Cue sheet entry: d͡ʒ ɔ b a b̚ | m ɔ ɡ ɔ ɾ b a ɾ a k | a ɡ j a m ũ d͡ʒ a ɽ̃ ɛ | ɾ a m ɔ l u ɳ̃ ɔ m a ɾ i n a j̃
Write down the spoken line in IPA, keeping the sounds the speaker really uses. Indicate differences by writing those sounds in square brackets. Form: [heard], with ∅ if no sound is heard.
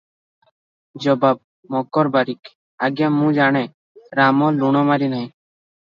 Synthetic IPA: d͡ʒ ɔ b a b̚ | m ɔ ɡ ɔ ɾ b a ɾ [i] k | a ɡ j a m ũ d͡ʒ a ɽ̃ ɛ | ɾ a m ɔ l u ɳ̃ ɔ m a ɾ i n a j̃